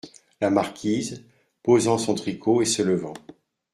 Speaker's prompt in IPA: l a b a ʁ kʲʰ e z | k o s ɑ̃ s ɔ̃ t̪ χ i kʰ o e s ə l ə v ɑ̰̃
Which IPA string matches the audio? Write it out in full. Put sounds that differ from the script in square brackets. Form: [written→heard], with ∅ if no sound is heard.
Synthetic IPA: l a [b→m] a ʁ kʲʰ [e→i] z | [k→p] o [s→z] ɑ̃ s ɔ̃ t̪ χ i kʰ o e s ə l ə v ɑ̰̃